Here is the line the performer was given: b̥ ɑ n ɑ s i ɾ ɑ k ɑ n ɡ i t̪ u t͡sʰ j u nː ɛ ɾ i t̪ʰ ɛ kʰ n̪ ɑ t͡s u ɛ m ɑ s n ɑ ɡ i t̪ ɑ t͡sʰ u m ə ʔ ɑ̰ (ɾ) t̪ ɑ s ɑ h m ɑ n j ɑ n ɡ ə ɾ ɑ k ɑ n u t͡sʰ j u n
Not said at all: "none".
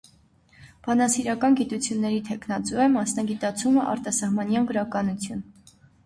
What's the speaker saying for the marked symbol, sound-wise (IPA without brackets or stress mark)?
ɾ